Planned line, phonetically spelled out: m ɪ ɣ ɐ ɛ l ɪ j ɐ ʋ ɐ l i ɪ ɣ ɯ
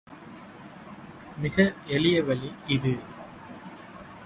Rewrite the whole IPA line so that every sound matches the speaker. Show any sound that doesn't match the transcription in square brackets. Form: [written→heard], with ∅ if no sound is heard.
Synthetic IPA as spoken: m ɪ ɣ ɐ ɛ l ɪ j ɐ ʋ ɐ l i ɪ [ɣ→ð] ɯ